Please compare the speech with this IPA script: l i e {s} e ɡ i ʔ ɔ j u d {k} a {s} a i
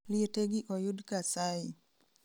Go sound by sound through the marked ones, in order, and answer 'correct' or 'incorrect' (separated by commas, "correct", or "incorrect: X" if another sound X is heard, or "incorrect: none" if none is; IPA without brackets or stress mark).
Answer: incorrect: t, correct, correct